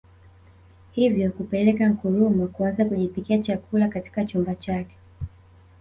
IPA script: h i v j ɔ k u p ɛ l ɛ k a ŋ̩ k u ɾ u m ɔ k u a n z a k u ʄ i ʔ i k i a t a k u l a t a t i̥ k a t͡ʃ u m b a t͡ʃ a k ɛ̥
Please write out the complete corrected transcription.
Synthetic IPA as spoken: h i v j ɔ k u p ɛ l ɛ k a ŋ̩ k u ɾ u m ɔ k u a n z a k u ʄ i p i k i a t͡ʃ a k u l a k a t i̥ k a t͡ʃ u m b a t͡ʃ a k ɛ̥